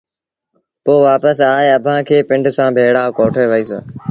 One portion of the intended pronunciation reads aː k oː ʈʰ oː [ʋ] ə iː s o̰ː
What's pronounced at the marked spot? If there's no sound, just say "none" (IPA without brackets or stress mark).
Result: ʋ